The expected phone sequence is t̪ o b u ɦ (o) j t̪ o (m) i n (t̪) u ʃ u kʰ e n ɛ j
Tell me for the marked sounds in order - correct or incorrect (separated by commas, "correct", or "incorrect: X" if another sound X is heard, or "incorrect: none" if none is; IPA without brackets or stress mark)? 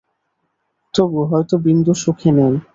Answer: incorrect: ɔ, incorrect: b, incorrect: d̪